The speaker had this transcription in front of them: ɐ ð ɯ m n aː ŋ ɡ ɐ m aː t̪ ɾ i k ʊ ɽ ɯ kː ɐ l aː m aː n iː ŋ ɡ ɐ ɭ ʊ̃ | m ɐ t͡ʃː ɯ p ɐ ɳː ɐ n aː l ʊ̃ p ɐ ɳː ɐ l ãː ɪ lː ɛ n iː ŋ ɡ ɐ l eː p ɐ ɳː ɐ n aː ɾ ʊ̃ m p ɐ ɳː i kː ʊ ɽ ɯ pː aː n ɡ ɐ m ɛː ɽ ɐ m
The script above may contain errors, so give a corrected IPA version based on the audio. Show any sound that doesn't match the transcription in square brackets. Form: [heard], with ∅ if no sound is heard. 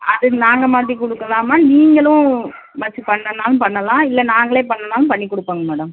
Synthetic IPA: ɐ ð ɯ [∅] n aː ŋ ɡ ɐ m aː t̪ ɾ i k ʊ ɽ ɯ kː ɐ l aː m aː n iː ŋ ɡ ɐ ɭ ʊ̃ | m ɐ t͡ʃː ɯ p ɐ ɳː ɐ n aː l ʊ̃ p ɐ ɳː ɐ l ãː ɪ lː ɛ n [aː] ŋ ɡ ɐ [ɭ] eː p ɐ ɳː ɐ n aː [l] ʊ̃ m p ɐ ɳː i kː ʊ ɽ ɯ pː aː [ŋ] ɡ ɐ m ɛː ɽ ɐ m

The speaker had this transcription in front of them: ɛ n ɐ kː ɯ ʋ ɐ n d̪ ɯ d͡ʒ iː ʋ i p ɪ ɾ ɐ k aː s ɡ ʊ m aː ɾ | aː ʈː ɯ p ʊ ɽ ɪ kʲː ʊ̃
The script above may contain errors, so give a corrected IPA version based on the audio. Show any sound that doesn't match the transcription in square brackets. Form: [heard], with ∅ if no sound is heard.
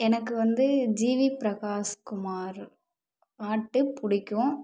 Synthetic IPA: ɛ n ɐ kː ɯ ʋ ɐ n d̪ ɯ d͡ʒ iː ʋ i p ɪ ɾ ɐ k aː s [k] ʊ m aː ɾ | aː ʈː ɯ p ʊ ɽ ɪ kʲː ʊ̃

